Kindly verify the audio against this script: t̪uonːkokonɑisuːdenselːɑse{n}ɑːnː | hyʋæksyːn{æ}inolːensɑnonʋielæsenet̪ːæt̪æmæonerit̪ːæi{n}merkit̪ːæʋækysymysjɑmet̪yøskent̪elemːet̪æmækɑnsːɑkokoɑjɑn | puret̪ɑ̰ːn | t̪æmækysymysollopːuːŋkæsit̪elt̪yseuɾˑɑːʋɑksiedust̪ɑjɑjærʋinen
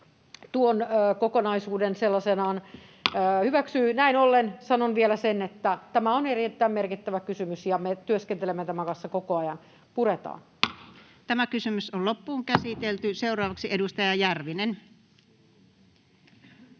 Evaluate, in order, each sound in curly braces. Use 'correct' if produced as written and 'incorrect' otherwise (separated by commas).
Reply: correct, correct, incorrect